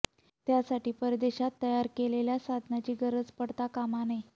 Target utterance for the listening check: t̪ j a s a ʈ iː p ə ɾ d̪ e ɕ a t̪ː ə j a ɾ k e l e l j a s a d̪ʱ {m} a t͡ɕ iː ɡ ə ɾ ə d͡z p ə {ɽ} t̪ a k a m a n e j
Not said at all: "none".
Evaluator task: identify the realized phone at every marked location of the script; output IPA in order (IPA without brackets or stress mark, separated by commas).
n, ɽ